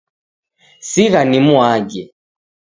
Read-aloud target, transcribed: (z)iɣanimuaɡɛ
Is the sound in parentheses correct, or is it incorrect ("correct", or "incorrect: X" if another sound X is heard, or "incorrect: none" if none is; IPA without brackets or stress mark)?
incorrect: s